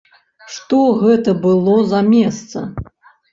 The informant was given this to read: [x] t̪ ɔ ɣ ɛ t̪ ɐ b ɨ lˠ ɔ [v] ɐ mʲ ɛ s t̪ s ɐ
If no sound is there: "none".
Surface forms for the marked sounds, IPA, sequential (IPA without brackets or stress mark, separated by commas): ʂ, z